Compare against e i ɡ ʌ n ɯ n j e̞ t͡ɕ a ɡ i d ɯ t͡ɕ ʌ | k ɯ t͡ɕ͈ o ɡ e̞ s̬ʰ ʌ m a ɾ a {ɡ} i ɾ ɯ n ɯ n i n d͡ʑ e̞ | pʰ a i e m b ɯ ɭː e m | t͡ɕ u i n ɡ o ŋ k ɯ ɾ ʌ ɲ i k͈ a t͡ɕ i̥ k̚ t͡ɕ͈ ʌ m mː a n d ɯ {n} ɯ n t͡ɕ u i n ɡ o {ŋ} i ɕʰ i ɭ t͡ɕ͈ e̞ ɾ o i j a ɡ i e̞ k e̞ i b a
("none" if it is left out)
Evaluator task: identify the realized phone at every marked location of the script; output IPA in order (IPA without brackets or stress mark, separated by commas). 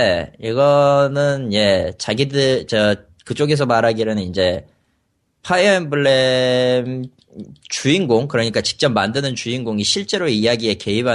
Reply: ɡ, n, ŋ